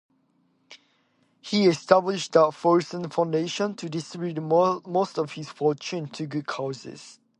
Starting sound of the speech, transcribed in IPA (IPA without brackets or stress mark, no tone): h